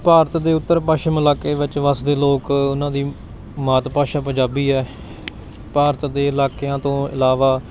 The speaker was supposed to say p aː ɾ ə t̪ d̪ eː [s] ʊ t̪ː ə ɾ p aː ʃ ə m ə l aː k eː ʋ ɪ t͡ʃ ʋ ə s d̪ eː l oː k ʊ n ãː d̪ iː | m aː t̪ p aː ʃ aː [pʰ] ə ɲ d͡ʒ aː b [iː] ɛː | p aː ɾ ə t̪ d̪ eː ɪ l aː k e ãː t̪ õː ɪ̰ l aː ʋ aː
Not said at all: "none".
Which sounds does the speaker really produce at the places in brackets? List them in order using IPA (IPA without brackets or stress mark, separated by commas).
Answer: none, p, iː